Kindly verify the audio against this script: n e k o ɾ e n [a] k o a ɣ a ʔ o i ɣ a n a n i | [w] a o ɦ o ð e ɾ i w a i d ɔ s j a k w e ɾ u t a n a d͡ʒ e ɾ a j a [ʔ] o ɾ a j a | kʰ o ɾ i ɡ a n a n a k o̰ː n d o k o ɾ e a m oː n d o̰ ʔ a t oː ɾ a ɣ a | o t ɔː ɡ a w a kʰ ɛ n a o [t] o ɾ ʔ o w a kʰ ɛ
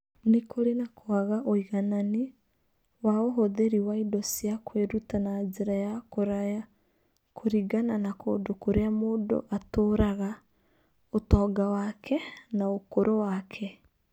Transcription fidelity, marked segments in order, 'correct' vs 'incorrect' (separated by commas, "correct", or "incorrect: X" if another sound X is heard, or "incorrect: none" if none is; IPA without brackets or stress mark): correct, correct, incorrect: k, incorrect: k